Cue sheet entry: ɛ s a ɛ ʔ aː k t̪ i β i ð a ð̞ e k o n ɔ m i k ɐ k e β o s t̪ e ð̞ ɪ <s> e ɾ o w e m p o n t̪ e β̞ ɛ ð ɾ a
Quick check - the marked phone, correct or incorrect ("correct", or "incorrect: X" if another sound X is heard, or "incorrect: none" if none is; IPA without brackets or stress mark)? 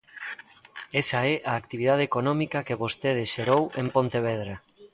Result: incorrect: ʃ